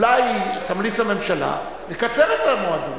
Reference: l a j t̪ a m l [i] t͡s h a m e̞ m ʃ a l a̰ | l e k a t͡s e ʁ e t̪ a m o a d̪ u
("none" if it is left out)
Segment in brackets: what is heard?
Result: i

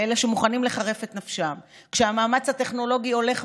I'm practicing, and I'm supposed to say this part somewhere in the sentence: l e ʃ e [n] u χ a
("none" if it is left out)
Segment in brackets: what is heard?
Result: m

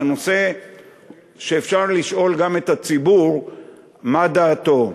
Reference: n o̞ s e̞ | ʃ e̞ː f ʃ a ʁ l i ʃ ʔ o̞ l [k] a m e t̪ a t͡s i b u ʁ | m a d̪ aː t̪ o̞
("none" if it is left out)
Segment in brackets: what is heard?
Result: ɡ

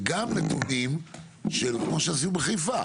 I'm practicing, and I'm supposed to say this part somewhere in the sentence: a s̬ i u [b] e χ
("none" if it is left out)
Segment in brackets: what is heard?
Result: b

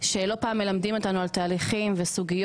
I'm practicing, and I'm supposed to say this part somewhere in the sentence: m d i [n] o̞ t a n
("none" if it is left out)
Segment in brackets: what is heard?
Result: m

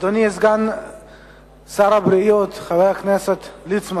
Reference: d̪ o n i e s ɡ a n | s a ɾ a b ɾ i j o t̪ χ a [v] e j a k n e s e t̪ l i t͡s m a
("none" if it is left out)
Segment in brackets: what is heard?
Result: v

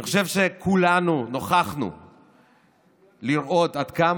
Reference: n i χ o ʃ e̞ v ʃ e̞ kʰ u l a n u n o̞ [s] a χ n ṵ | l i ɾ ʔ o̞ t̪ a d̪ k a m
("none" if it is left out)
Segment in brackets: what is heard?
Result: χ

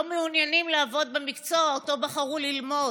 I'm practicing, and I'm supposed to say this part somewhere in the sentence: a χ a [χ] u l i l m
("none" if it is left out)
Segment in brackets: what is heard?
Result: ʁ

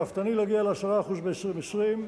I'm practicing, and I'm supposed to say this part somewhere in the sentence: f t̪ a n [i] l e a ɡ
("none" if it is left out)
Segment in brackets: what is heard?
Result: i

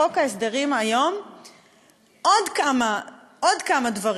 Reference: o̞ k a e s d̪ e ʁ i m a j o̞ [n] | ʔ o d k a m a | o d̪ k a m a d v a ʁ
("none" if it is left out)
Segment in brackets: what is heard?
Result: m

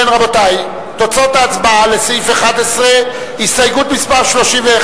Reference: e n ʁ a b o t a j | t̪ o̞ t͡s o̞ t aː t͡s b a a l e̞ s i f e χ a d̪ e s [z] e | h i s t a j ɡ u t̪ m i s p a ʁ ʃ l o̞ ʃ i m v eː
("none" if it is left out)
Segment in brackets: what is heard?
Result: ʁ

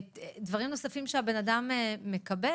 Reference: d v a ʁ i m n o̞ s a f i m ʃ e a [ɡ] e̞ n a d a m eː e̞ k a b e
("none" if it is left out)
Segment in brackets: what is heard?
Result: b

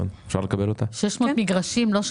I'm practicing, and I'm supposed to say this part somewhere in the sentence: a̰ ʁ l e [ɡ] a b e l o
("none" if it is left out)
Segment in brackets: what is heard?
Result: k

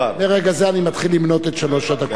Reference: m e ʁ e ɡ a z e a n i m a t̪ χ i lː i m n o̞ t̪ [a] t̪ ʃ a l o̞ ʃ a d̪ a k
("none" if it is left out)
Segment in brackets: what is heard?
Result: e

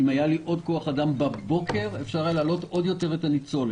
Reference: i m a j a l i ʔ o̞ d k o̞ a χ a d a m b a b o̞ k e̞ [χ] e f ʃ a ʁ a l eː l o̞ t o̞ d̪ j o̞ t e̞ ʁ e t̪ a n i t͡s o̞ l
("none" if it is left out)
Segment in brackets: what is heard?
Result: ʁ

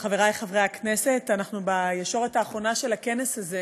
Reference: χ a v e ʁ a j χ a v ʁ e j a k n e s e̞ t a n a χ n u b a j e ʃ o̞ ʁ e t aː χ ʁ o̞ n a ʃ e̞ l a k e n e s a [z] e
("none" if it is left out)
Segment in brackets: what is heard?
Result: z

